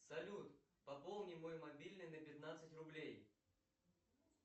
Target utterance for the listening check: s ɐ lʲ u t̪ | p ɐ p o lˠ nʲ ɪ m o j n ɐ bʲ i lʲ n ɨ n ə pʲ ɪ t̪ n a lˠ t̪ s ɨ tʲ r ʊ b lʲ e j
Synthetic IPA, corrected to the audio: s ɐ lʲ u t̪ | p ɐ p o lˠ nʲ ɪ m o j m ɐ bʲ i lʲ n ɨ n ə pʲ ɪ t̪ n a t̪ s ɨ tʲ r ʊ b lʲ e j